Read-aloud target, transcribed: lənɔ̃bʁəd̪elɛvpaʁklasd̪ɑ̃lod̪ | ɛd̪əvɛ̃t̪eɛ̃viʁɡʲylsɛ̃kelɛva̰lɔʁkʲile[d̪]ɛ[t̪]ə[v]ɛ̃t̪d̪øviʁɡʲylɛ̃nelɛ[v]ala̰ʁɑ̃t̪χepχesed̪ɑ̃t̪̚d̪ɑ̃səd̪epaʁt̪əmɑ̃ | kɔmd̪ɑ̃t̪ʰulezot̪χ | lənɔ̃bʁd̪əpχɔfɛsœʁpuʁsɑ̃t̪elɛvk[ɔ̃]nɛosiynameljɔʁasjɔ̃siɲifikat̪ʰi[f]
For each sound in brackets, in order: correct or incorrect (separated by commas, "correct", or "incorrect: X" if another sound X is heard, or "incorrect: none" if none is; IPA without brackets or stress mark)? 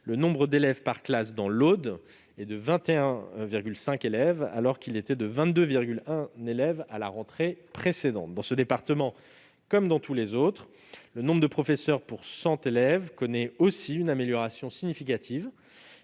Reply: incorrect: t̪, incorrect: d̪, correct, correct, incorrect: ɔ, incorrect: v